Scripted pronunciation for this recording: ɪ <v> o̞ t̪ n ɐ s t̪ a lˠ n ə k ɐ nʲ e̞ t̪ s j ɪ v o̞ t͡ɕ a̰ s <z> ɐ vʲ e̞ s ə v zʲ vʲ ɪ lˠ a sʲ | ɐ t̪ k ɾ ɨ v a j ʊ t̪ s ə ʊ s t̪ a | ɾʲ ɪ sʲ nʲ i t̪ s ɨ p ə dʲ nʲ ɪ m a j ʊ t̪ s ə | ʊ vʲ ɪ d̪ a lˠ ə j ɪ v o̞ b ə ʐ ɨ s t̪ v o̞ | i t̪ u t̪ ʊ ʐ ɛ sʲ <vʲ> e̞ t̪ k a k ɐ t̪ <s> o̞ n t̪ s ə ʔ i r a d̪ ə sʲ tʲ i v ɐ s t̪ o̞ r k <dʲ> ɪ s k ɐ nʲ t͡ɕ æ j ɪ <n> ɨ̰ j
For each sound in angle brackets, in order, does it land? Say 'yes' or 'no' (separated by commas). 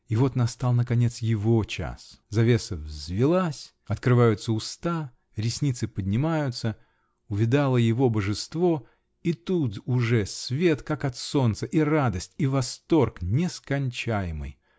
yes, yes, yes, yes, no, no